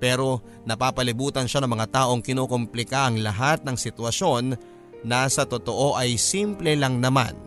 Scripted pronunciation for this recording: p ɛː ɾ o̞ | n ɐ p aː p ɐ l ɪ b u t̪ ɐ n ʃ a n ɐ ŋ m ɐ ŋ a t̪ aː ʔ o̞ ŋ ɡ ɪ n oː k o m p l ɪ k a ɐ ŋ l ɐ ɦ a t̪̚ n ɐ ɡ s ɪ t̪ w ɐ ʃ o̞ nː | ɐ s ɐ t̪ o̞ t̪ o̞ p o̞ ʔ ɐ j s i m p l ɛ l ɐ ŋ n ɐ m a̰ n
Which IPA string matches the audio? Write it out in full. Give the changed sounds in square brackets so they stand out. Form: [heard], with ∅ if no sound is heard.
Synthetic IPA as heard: p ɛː ɾ o̞ | n ɐ p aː p ɐ l ɪ b [uː] t̪ ɐ n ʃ a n ɐ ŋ m ɐ ŋ a t̪ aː ʔ o̞ ŋ [k] ɪ n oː k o m p l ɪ k a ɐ ŋ l ɐ ɦ a t̪̚ n ɐ [ŋ] s ɪ t̪ w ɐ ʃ o̞ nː | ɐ s ɐ t̪ o̞ t̪ o̞ [ʔ] o̞ ʔ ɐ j s i m p l ɛ l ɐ ŋ n ɐ m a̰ n